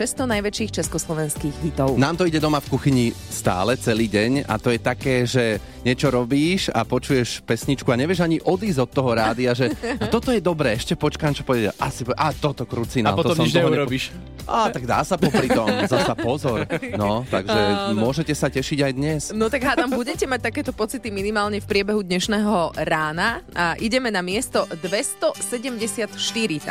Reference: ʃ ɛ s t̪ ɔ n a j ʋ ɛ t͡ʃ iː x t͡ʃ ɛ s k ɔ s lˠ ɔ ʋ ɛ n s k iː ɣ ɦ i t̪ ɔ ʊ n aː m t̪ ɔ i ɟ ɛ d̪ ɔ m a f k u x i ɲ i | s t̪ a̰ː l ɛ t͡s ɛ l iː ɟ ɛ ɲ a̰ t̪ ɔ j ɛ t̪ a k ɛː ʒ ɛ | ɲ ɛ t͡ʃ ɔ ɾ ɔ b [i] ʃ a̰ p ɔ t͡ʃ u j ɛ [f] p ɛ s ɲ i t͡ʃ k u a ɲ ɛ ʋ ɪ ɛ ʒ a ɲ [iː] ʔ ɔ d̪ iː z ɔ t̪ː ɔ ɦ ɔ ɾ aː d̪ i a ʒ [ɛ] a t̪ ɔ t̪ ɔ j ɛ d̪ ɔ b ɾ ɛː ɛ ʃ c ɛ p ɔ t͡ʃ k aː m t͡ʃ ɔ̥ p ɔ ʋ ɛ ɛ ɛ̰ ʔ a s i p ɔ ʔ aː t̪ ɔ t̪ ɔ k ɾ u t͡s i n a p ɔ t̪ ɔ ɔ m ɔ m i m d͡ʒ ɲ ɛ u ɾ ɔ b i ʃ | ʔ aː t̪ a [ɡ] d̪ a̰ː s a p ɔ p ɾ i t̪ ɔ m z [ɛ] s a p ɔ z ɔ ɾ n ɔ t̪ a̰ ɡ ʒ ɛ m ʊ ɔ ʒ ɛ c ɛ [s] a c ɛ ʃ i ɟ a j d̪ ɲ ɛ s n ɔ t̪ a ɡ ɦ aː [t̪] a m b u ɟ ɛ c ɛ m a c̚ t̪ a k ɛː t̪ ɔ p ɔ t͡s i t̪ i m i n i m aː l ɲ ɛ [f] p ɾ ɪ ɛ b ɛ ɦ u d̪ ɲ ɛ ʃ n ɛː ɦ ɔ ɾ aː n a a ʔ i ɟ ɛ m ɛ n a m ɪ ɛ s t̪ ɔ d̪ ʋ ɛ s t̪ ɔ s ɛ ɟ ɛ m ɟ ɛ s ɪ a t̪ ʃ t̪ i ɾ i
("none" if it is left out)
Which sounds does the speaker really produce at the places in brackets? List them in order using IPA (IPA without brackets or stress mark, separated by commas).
iː, ʃ, i, ɛ, ɡ, a, s, t̪, f